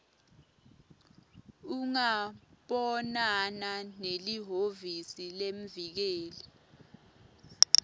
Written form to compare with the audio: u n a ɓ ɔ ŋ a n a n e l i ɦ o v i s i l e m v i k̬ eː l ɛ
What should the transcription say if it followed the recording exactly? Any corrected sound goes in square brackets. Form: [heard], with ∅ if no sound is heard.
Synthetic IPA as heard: u [ŋ] a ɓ ɔ [n] a n a n e l i ɦ o v i s i l e m v i k̬ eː l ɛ